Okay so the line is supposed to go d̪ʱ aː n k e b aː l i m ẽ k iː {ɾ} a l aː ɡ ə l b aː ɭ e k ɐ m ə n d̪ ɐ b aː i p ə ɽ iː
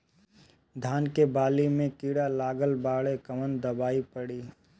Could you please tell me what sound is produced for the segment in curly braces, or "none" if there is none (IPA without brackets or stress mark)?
ɽ